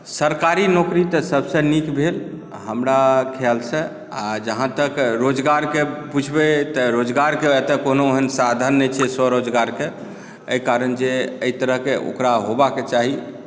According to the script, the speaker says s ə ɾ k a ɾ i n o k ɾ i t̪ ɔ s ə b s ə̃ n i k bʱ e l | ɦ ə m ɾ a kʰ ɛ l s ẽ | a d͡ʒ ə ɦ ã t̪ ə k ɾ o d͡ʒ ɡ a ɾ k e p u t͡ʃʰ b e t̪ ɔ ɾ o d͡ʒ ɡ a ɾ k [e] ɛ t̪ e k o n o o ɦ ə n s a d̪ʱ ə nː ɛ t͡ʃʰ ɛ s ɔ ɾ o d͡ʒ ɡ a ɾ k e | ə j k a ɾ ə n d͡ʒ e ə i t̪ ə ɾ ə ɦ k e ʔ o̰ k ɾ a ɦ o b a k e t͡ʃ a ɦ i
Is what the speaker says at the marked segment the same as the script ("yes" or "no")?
yes